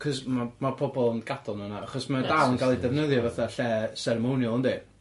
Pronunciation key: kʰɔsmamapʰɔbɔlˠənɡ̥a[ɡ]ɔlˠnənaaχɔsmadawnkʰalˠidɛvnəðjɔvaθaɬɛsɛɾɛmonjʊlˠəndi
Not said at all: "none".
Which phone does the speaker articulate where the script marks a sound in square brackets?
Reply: d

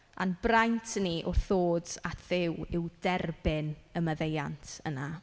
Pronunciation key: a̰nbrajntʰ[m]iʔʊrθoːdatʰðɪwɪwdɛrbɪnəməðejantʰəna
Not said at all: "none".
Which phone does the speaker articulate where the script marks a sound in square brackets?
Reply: n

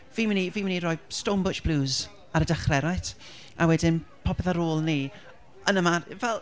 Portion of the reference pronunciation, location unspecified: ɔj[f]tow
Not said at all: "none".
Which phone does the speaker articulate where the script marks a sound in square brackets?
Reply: s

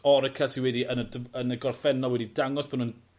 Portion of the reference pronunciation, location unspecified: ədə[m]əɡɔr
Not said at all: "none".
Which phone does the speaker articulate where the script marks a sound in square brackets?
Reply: n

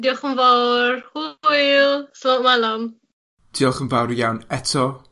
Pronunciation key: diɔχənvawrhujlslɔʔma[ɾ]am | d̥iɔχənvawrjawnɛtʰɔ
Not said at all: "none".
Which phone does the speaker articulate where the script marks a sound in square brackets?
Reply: l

